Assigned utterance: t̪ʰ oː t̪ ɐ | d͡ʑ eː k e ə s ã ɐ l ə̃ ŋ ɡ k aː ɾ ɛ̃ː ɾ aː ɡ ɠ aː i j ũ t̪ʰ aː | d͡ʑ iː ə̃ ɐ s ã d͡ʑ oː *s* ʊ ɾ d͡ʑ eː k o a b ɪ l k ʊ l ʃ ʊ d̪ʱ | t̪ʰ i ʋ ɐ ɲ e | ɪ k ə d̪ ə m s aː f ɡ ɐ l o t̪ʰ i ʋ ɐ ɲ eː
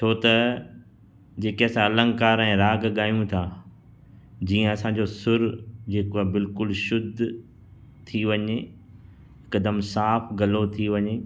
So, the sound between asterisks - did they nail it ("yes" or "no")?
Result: yes